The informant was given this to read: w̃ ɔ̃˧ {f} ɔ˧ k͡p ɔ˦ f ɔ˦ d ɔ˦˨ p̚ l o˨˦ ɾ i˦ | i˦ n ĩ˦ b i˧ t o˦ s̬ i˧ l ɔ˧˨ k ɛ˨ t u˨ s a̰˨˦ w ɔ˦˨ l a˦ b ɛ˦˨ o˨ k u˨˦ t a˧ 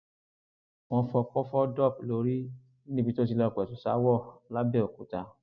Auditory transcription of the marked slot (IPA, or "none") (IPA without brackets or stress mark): f